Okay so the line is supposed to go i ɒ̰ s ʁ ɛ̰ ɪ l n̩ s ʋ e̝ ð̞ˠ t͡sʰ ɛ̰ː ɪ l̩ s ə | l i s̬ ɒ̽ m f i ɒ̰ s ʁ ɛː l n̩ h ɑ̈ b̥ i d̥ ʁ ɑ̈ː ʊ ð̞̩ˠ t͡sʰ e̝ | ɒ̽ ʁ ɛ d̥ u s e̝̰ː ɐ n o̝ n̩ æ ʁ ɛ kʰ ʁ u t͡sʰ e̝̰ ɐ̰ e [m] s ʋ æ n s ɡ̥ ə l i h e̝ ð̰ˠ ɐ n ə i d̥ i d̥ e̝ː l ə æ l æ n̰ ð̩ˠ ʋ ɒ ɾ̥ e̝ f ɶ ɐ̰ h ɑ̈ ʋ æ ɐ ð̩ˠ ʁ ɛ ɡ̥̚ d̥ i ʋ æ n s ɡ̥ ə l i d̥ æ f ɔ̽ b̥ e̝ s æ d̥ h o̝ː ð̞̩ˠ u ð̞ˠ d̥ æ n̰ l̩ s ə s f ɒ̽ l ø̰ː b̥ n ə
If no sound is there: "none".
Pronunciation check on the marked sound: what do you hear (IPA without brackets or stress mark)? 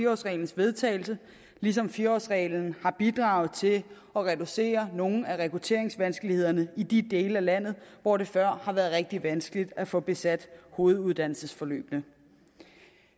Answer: ŋ